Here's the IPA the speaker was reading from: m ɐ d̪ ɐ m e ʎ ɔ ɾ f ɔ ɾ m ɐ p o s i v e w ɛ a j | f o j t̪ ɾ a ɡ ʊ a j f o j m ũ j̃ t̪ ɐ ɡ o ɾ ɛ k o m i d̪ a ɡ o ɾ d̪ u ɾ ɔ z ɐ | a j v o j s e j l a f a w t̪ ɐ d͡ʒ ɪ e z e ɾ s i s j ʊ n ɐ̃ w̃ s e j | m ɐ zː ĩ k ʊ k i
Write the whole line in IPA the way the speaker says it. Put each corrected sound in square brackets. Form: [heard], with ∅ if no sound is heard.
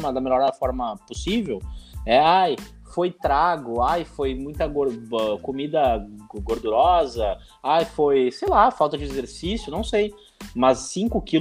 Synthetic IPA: m ɐ d̪ ɐ m e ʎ ɔ ɾ f ɔ ɾ m ɐ p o s i v e w ɛ a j | f o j t̪ ɾ a ɡ ʊ a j f o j m ũ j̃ t̪ ɐ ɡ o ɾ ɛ k o m i d̪ [ɐ] ɡ o ɾ d̪ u ɾ ɔ z ɐ | a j [f] o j s e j l a f a w t̪ ɐ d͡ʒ ɪ e z e ɾ s i s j ʊ n ɐ̃ w̃ s e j | m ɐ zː ĩ k ʊ k i